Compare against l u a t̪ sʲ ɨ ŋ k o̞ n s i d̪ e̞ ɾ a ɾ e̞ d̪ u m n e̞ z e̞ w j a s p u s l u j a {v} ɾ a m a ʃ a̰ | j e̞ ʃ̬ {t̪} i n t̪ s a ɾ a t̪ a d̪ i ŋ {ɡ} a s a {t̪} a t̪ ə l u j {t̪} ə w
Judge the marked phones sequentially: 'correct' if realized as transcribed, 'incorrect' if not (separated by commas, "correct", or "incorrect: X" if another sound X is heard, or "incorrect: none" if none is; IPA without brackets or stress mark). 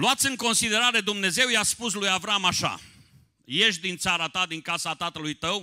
correct, incorrect: d̪, incorrect: k, correct, correct